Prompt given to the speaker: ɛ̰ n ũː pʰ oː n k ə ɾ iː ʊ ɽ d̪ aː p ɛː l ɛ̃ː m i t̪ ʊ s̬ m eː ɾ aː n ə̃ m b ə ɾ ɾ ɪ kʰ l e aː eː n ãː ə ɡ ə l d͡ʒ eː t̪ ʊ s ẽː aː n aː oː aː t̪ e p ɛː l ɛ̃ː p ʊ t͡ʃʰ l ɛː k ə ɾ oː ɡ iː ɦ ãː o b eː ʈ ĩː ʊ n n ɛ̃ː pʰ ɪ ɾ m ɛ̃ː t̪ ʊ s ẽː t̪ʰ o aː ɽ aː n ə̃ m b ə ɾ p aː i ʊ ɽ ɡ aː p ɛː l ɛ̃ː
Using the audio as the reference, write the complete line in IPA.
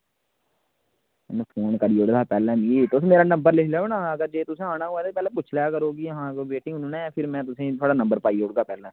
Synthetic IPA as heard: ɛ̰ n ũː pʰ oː n k ə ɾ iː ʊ ɽ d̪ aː p ɛː l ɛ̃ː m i t̪ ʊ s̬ m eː ɾ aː n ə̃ m b ə ɾ l ɪ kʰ l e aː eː n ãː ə ɡ ə ɾ d͡ʒ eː t̪ ʊ s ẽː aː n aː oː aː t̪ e p ɛː l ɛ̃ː p ʊ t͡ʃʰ l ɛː k ə ɾ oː ɡ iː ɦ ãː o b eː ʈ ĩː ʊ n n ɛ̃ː pʰ ɪ ɾ m ɛ̃ː t̪ ʊ s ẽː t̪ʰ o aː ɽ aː n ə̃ m b ə ɾ p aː i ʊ ɽ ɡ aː p ɛː l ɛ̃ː